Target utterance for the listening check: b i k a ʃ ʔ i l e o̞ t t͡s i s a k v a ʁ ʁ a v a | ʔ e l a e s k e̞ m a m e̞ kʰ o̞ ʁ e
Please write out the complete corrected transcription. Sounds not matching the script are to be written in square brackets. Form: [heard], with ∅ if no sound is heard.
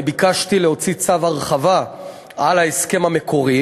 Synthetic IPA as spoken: b i k a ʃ [t] i l e o̞ [∅] t͡s i [t͡s] a [∅] v a ʁ [χ] a v a | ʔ [a] l a e s k e̞ m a m e̞ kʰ o̞ ʁ [i]